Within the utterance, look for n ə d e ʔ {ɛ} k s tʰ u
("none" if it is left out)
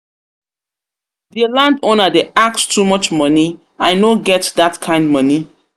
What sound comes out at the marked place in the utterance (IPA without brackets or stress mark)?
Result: a